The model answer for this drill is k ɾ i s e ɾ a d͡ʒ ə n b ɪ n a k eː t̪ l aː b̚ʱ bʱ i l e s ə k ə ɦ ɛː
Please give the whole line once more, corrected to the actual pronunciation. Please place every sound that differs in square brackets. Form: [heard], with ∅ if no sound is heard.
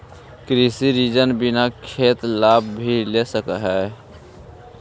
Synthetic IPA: k ɾ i s [i] ɾ [i] d͡ʒ ə n b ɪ n a [kʰ] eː t̪ l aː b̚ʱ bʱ i l e s ə k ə ɦ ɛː

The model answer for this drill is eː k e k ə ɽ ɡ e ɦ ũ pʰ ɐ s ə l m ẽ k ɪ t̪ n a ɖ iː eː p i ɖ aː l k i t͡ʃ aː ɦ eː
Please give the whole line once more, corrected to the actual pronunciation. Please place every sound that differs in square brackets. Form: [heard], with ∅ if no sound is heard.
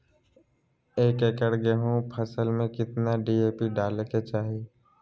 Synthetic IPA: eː k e k ə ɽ ɡ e ɦ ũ pʰ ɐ s ə l m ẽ k ɪ t̪ n a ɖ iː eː p i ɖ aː l k [e] t͡ʃ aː ɦ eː

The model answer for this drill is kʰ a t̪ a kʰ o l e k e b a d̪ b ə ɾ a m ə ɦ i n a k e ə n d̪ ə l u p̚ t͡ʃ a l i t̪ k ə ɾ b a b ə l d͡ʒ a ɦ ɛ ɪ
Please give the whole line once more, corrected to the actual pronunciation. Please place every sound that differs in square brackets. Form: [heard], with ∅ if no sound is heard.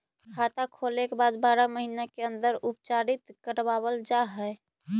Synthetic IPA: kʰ a t̪ a kʰ o l e k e b a d̪ b [a] ɾ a m ə ɦ i n a k e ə n d̪ ə [ɾ] u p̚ t͡ʃ a [ɾ] i t̪ k ə ɾ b a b ə l d͡ʒ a ɦ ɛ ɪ

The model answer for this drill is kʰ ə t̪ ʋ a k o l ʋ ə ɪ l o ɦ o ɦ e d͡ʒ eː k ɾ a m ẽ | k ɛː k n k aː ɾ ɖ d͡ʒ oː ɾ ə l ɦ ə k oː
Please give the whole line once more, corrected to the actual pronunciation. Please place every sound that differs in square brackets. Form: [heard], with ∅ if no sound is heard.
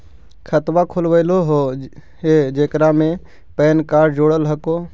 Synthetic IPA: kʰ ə t̪ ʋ a [kʰ] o l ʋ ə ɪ l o ɦ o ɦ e d͡ʒ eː k ɾ a m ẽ | [p] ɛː [∅] n k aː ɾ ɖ d͡ʒ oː [ɽ] ə l ɦ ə k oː

